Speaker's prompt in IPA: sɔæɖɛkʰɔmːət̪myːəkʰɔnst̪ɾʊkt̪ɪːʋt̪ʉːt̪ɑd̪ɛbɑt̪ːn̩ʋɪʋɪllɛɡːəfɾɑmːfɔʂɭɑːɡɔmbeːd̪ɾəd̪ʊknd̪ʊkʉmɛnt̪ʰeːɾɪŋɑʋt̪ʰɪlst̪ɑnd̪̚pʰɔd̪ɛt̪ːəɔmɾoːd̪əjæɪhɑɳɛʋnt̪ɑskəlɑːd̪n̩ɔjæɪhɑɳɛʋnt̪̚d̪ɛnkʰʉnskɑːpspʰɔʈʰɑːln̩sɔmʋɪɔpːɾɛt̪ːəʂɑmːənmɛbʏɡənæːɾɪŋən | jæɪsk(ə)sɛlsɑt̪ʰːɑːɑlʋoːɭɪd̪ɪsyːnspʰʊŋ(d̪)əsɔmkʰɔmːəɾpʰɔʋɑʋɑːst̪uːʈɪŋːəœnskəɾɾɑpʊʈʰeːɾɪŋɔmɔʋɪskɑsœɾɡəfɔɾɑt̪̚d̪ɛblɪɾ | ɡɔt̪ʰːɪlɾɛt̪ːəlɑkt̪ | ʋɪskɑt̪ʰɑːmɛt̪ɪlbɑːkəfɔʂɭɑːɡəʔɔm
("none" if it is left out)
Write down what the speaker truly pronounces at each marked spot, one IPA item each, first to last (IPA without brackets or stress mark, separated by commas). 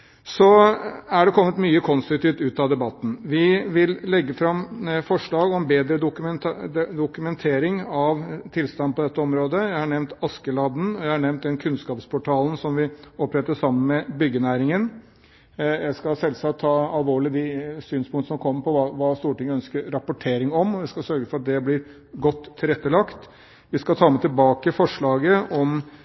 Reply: ɑ, t̪